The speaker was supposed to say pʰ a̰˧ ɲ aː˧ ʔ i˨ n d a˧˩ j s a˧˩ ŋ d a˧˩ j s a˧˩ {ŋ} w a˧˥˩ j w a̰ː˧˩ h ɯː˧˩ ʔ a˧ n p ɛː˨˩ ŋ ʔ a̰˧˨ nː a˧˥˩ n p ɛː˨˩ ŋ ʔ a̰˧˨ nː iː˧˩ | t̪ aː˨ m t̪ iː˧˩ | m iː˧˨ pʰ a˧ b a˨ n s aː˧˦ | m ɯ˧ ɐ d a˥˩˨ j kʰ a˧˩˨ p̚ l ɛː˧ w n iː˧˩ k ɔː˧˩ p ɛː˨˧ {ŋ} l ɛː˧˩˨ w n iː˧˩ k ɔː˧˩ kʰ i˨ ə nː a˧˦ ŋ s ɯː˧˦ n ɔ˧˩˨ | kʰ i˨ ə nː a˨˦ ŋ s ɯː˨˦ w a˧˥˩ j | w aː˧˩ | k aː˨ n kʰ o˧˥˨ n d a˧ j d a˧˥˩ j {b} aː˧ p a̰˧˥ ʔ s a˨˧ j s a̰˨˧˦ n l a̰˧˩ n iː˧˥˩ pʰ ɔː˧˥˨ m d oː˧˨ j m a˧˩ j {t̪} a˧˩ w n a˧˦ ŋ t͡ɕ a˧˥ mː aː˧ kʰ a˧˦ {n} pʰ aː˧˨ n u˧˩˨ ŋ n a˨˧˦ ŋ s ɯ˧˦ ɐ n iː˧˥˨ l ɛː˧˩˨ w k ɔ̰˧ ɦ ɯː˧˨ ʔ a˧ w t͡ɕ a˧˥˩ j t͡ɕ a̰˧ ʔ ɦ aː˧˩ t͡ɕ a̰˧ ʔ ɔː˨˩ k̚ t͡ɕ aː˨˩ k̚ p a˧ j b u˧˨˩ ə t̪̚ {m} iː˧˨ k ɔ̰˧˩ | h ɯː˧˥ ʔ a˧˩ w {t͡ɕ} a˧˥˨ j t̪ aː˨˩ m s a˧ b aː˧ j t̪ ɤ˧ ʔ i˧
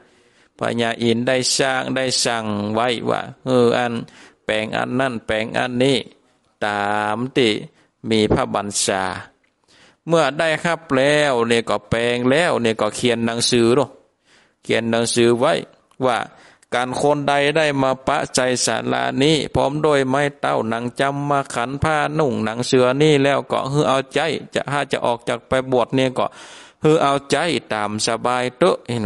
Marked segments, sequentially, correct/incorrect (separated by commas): correct, correct, incorrect, correct, correct, incorrect, correct